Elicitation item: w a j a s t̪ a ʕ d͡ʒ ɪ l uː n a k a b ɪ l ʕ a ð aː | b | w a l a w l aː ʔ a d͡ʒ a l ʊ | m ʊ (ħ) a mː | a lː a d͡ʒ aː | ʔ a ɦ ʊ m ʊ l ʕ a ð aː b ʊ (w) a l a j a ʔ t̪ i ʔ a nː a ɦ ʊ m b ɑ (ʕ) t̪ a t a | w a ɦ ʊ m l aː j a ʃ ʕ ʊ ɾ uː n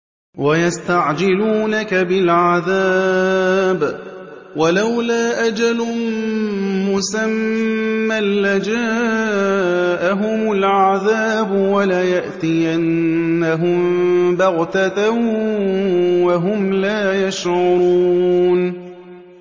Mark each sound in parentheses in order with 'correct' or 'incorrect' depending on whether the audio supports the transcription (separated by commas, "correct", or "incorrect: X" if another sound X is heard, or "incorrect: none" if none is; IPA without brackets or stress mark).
incorrect: s, correct, incorrect: ɣ